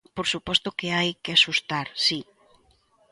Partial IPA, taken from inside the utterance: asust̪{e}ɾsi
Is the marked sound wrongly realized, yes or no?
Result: yes